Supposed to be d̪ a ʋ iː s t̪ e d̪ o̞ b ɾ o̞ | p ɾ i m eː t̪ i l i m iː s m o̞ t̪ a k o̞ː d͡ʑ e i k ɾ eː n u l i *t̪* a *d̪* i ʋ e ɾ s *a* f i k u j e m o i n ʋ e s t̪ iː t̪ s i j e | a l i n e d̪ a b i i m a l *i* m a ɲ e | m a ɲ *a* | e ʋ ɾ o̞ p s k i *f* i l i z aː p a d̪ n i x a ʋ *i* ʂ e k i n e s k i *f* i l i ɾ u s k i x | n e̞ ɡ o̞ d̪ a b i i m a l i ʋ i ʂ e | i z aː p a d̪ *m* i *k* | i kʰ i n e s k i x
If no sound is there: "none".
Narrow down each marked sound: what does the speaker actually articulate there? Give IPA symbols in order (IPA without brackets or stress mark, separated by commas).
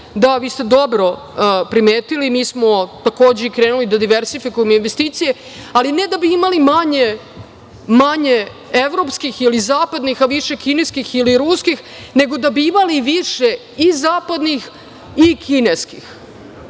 d̪, d̪, i, i, e, x, i, x, n, x